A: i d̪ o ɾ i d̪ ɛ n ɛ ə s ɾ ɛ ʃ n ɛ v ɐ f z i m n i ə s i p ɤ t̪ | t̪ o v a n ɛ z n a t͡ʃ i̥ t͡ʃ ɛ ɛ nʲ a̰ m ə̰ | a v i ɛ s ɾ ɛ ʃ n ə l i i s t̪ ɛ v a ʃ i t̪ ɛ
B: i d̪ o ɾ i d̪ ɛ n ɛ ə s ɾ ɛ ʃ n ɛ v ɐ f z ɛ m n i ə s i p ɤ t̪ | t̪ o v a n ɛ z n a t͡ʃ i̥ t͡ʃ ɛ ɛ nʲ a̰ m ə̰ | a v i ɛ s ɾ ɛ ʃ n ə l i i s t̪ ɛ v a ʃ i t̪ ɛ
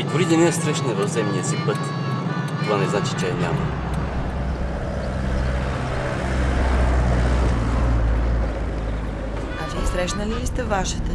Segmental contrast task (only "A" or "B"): B